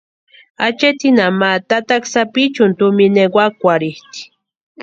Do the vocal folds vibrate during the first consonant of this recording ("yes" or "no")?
no